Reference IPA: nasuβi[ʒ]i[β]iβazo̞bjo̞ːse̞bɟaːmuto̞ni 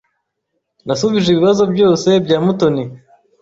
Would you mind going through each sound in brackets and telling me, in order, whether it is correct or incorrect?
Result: correct, correct

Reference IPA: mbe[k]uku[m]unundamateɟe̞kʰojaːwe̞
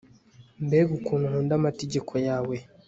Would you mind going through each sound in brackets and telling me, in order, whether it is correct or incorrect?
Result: incorrect: ɡ, incorrect: n

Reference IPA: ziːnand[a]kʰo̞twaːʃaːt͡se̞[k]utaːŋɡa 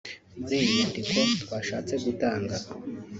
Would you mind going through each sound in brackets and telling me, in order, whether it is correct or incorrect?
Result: incorrect: i, incorrect: ɡ

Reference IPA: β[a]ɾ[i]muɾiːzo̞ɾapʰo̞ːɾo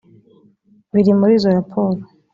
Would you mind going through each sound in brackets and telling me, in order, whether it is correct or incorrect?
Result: incorrect: i, correct

